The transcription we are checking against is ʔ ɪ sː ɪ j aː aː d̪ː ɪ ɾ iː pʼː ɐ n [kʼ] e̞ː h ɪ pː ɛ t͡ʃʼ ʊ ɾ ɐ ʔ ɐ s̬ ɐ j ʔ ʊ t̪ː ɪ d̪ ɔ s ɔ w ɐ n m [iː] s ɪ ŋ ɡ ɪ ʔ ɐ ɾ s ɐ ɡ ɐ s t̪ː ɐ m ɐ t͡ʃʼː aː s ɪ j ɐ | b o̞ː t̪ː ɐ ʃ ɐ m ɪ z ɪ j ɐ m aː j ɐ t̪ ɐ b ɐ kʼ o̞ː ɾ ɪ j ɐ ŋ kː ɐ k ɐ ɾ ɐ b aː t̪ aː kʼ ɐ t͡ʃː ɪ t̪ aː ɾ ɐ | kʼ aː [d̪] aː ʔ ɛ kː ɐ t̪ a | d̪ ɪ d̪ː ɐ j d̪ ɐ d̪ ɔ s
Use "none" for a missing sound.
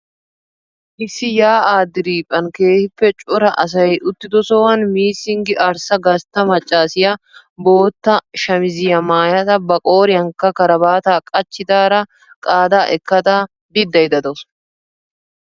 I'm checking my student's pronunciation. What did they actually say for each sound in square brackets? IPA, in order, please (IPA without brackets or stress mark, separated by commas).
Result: k, iː, d̪